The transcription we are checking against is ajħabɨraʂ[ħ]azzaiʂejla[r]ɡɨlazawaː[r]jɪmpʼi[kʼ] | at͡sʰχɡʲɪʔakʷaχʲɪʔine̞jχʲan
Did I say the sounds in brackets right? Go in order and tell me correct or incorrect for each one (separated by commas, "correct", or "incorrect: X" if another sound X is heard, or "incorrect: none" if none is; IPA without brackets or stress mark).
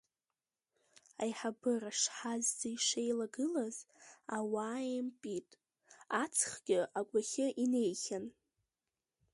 correct, incorrect: none, incorrect: none, incorrect: tʼ